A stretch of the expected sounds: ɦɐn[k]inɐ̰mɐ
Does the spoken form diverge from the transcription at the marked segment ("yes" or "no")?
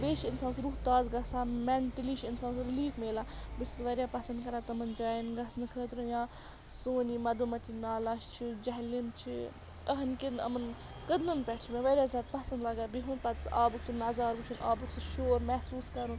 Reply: no